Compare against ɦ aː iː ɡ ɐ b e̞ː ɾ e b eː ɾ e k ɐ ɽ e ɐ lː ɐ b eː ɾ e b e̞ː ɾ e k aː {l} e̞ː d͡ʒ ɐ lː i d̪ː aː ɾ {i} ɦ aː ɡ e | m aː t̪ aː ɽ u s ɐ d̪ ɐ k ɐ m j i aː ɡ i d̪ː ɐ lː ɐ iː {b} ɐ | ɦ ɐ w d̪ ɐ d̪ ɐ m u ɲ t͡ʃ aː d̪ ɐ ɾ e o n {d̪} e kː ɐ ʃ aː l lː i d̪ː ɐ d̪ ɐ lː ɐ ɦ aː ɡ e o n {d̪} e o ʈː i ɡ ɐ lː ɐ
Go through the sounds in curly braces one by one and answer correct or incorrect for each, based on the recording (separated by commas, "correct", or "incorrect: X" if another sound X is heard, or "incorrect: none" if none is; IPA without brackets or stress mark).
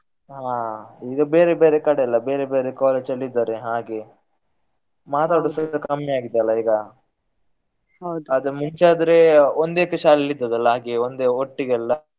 correct, incorrect: e, incorrect: ɡ, correct, correct